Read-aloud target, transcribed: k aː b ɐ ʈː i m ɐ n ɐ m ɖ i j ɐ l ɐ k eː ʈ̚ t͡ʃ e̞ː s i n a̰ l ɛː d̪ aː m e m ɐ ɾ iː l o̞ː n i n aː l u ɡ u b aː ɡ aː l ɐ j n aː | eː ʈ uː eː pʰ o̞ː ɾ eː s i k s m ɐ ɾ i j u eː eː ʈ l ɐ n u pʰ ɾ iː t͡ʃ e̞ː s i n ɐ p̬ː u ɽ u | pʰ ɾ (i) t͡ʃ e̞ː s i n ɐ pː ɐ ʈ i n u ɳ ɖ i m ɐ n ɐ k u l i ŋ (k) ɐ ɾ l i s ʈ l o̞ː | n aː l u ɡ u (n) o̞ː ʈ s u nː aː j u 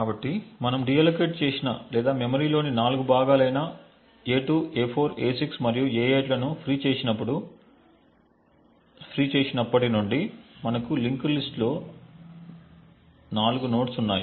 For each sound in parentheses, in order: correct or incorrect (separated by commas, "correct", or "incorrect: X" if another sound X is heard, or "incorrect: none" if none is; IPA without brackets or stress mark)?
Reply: incorrect: iː, correct, correct